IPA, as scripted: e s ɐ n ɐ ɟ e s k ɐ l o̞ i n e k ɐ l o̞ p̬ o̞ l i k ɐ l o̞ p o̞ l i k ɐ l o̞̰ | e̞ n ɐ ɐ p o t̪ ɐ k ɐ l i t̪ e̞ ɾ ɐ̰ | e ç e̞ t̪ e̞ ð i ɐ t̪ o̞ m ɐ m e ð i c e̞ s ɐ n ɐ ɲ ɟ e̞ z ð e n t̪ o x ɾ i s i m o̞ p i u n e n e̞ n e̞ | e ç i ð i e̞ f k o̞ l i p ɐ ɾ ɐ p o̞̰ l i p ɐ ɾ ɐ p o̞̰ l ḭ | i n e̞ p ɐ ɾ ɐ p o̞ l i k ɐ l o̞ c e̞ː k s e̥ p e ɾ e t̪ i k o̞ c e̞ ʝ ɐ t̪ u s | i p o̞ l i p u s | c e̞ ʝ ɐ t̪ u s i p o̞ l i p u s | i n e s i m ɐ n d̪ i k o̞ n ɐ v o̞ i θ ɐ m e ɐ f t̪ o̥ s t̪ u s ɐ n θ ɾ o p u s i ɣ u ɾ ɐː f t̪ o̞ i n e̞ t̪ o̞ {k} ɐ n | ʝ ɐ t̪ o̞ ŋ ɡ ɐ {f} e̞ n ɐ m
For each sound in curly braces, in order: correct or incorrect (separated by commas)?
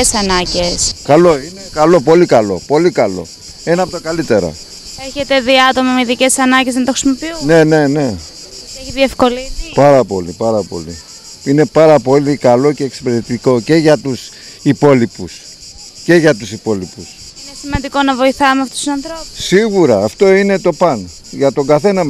incorrect, incorrect